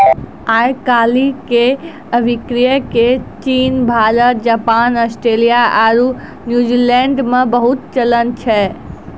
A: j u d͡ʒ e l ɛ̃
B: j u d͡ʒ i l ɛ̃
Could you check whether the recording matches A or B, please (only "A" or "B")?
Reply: B